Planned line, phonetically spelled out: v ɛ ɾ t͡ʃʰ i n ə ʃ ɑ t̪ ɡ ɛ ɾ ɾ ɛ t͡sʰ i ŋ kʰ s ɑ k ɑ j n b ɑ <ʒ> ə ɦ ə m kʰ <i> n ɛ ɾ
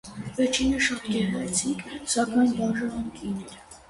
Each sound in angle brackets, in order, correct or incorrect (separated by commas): correct, correct